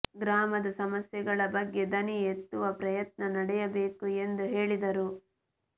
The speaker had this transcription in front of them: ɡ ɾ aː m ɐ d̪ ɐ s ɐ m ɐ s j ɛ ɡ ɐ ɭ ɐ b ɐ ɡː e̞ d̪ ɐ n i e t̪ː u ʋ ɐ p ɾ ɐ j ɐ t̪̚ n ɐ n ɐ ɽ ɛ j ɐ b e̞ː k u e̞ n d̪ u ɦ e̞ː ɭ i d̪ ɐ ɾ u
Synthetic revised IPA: ɡ ɾ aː m ɐ d̪ ɐ s ɐ m ɐ s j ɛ ɡ ɐ ɭ ɐ b ɐ ɡː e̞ d̪ ɐ n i e t̪ː u ʋ ɐ p ɾ ɐ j ɐ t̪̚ n ɐ n ɐ ɽ ɛ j ɐ b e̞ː k u e̞ n d̪ u ɦ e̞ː ɭ i d̪ ɐ ɾ u

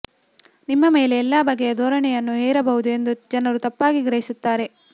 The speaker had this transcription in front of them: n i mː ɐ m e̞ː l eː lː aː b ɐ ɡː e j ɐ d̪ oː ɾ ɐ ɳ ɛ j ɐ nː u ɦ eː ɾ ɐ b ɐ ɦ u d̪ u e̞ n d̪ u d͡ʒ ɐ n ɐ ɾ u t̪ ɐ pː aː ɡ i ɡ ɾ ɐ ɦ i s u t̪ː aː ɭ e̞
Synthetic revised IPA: n i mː ɐ m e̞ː l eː lː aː b ɐ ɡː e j ɐ d̪ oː ɾ ɐ ɳ ɛ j ɐ nː u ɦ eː ɾ ɐ b ɐ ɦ u d̪ u e̞ n d̪ u d͡ʒ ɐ n ɐ ɾ u t̪ ɐ pː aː ɡ i ɡ ɾ ɐ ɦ i s u t̪ː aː ɾ e̞

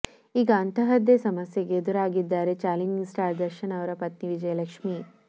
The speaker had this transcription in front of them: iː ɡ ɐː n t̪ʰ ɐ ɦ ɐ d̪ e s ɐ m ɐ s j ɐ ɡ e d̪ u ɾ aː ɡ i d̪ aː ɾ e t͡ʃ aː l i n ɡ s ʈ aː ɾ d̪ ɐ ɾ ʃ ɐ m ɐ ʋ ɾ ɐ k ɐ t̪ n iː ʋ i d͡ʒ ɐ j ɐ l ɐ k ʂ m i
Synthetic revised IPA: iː ɡ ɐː n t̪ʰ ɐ ɦ ɐ d̪ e s ɐ m ɐ s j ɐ ɡ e d̪ u ɾ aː ɡ i d̪ː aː ɾ e t͡ʃ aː l i ŋ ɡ s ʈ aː ɾ d̪ ɐ ɾ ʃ ɐ n ɐ ʋ ɾ ɐ p ɐ t̪ n i ʋ i d͡ʒ ɐ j ɐ l ɐ k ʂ m i

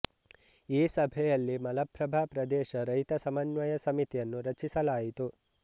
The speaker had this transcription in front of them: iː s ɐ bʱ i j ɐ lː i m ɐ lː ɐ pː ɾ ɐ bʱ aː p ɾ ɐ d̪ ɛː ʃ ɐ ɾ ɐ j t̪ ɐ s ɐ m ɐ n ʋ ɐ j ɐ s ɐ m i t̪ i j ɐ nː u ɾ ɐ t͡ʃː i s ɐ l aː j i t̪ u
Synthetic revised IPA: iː s ɐ bʱ ɛ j ɐ lː i m ɐ l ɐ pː ɾ ɐ bʱ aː p ɾ ɐ d̪ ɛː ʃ ɐ ɾ ɐ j t̪ ɐ s ɐ m ɐ n ʋ ɐ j ɐ s ɐ m i t̪ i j ɐ nː u ɾ ɐ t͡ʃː i s ɐ l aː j i t̪ u

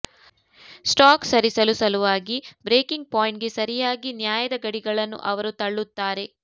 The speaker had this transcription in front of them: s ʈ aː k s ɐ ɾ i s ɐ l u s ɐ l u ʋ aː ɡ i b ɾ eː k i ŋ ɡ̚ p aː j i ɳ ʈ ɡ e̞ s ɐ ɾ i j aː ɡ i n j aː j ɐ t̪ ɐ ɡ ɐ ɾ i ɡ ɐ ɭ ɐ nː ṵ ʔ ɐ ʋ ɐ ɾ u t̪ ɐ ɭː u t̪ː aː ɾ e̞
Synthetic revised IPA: s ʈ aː k s ɐ ɾ i s ɐ l u s ɐ l u ʋ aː ɡ i b ɾ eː k i ŋ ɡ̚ p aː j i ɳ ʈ ɡ e̞ s ɐ ɾ i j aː ɡ i n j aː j ɐ d̪ ɐ ɡ ɐ ɽ i ɡ ɐ ɭ ɐ nː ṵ ʔ ɐ ʋ ɐ ɾ u t̪ ɐ ɭː u t̪ː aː ɾ e̞

